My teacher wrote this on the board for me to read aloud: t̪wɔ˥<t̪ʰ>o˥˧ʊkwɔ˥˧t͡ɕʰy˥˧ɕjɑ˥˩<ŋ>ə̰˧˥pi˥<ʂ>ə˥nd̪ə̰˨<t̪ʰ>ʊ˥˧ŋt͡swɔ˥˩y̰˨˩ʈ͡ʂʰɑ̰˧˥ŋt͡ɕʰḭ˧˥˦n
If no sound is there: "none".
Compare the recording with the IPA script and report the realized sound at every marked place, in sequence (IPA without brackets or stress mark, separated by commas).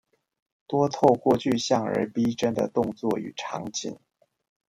t̪ʰ, ŋ, ʈ͡ʂ, t̪